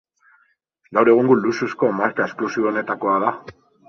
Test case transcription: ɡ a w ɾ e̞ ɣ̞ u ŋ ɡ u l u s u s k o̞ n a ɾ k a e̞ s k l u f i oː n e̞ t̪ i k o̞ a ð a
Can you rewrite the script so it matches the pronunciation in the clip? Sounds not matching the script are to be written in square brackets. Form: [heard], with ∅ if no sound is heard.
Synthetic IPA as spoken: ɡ a w ɾ e̞ ɣ̞ u ŋ ɡ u l u s u s k o̞ [m] a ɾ k a e̞ s k l u [s] i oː n e̞ t̪ [a] k o̞ a ð a